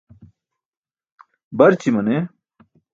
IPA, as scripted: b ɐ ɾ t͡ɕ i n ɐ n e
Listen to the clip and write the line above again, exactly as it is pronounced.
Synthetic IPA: b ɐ ɾ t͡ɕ i m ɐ n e